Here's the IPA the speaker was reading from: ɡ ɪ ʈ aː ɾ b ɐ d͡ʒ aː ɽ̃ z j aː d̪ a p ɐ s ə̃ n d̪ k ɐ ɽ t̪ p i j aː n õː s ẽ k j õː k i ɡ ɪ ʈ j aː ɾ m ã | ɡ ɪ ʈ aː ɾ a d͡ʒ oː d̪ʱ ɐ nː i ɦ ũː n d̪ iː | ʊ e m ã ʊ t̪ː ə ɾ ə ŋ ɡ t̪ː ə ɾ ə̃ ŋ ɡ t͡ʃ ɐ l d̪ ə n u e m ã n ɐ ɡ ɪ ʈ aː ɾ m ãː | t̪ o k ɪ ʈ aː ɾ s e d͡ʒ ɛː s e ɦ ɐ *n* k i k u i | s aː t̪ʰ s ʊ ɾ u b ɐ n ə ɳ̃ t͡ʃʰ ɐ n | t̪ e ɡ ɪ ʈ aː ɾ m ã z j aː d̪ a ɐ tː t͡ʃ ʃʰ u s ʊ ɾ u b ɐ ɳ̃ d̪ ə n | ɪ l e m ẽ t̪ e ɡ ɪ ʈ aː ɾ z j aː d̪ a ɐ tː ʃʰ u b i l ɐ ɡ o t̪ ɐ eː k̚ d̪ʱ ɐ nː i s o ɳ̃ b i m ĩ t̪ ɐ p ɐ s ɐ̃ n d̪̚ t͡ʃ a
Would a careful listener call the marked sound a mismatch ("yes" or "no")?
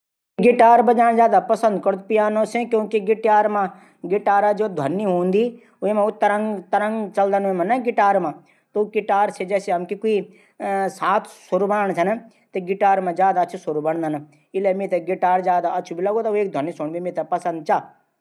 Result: yes